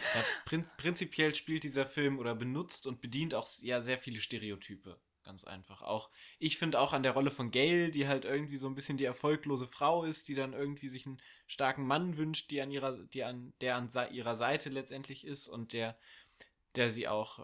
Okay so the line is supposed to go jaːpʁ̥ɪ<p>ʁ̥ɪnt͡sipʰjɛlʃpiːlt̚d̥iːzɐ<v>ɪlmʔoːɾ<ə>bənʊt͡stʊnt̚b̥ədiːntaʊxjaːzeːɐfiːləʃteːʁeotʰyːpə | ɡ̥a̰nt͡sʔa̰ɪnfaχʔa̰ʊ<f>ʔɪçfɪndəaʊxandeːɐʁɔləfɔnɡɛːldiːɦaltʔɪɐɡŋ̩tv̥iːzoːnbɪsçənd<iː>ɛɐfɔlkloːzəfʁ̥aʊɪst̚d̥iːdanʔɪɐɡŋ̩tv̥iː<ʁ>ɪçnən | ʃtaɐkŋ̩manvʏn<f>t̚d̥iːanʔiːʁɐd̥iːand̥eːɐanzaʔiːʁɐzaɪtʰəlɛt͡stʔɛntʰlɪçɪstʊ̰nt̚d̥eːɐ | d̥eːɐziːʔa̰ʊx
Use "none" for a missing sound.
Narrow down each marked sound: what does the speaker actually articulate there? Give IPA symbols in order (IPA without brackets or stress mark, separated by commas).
p, f, ɐ, x, iː, z, ʃ